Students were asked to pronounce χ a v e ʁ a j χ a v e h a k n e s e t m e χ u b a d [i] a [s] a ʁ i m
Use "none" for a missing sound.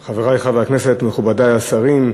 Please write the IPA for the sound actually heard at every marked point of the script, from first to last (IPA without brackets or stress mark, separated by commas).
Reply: a, s